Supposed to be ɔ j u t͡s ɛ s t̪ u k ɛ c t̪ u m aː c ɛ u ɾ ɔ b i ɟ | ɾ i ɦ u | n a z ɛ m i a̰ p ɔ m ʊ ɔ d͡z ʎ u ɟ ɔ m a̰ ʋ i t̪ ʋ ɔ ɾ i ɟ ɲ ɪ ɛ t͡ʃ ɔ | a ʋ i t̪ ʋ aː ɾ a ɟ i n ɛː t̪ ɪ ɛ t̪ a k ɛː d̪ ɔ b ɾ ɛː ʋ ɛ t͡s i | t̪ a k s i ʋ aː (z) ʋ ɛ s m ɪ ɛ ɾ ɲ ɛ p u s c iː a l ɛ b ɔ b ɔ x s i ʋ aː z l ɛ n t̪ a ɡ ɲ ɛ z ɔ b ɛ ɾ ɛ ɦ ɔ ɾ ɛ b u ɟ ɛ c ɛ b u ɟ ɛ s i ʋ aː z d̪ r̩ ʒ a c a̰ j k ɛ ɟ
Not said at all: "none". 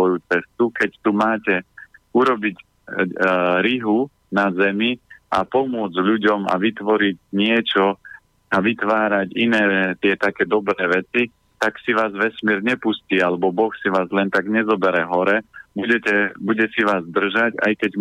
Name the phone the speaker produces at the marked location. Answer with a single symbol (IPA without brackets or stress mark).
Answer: z